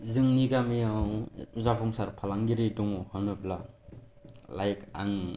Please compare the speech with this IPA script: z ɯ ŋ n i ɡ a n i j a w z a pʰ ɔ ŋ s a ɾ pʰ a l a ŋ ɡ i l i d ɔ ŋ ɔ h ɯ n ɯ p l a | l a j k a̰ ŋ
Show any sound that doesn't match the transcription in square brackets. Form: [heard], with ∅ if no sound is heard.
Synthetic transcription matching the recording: z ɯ ŋ n i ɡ a [m] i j a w z a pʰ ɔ ŋ s a ɾ pʰ a l a ŋ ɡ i [ɾ] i d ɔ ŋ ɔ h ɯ n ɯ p l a | l a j k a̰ ŋ